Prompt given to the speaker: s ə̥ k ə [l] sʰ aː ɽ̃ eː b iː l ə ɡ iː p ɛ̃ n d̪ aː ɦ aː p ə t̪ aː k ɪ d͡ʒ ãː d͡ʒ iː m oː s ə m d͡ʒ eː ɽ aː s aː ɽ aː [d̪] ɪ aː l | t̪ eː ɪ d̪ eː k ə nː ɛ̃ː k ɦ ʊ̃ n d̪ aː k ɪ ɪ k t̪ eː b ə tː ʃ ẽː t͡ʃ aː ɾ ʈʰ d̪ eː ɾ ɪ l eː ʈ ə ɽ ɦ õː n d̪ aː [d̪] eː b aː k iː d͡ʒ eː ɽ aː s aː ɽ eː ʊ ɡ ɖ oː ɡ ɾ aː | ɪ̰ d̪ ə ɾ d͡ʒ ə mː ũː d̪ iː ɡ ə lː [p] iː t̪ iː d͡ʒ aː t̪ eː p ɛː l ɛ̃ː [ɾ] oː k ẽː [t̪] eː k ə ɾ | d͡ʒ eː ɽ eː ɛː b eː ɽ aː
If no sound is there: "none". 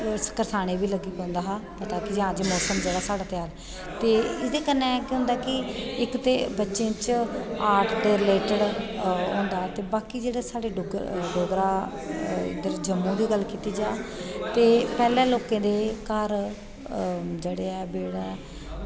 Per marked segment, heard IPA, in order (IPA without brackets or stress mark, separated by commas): ɾ, t̪, t̪, k, l, d̪